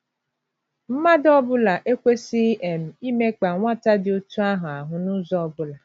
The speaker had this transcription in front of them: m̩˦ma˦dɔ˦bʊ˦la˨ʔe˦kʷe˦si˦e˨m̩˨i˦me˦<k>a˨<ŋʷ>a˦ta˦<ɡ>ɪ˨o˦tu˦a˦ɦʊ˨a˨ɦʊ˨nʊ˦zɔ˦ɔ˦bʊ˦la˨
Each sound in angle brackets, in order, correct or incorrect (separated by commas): incorrect, correct, incorrect